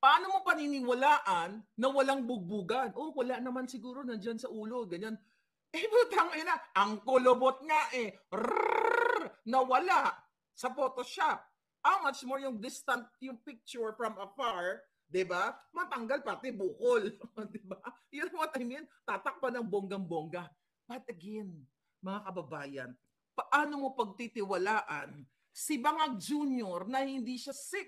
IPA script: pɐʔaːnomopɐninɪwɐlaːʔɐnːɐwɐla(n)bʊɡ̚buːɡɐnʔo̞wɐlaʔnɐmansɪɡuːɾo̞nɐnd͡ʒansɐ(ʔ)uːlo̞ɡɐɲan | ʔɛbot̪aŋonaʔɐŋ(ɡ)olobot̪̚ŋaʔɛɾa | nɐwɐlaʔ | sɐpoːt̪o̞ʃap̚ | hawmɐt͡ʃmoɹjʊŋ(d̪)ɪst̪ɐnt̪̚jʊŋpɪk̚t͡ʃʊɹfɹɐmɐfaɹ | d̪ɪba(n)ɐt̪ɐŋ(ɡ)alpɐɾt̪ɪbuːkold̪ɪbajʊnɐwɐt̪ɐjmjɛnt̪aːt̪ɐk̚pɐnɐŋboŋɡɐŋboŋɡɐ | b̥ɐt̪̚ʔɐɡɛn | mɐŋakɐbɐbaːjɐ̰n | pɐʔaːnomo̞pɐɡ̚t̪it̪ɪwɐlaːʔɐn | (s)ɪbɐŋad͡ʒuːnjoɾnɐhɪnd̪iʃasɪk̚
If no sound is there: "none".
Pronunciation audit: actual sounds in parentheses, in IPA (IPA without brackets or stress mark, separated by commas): ŋ, ʔ, k, d̪, m, ɡ, s